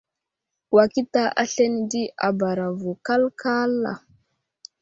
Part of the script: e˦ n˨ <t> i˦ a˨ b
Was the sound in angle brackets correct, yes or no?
no